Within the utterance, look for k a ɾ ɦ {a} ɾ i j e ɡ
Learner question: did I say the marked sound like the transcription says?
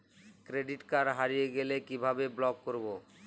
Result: yes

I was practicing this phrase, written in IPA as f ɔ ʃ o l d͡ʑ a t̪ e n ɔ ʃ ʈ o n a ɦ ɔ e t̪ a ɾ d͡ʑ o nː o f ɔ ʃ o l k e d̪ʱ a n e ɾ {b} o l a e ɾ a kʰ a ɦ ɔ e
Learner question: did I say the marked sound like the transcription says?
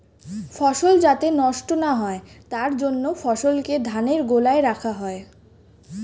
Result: no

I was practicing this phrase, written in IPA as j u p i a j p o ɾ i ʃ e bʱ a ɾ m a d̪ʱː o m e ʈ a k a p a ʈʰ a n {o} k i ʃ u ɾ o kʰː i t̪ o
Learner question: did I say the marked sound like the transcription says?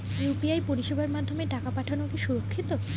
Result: yes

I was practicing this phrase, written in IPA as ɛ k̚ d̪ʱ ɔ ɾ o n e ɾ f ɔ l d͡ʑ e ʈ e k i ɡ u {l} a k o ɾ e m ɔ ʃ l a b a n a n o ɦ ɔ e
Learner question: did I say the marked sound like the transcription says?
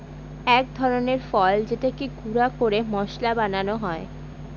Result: no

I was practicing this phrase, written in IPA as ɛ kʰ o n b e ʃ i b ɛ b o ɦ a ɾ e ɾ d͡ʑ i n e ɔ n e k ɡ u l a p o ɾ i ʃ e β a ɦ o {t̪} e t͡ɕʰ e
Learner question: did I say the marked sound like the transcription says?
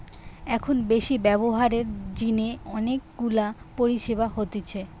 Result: yes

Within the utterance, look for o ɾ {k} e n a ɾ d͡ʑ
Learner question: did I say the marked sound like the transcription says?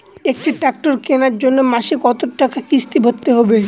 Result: yes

